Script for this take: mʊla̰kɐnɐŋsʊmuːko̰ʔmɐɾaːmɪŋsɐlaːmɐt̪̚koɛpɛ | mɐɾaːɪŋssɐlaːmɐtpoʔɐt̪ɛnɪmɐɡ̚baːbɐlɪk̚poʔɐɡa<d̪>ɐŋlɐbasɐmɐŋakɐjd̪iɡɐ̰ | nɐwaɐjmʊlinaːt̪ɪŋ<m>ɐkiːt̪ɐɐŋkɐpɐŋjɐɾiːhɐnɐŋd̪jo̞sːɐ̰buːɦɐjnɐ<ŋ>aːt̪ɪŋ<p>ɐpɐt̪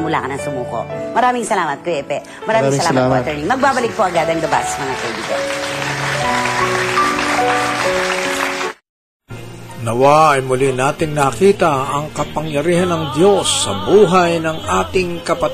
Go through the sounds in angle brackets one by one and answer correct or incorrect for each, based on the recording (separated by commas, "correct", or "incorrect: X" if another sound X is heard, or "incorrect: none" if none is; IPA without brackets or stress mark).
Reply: correct, incorrect: n, correct, incorrect: k